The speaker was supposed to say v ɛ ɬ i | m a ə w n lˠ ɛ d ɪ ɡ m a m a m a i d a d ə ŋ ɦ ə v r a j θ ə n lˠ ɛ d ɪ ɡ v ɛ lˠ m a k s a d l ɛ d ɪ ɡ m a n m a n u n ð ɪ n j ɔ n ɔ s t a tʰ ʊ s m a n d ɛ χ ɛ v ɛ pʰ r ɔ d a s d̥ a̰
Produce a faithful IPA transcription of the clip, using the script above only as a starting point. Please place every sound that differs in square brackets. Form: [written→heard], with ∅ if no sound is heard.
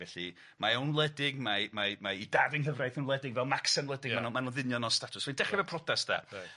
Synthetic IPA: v ɛ ɬ i | m a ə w n lˠ ɛ d ɪ ɡ m a m a m a i d a d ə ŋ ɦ ə v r a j θ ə n lˠ ɛ d ɪ ɡ v ɛ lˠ m a k s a [d→n] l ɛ d ɪ ɡ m a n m a n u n ð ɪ n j ɔ n ɔ s t a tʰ ʊ s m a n d ɛ χ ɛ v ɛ pʰ r ɔ d a s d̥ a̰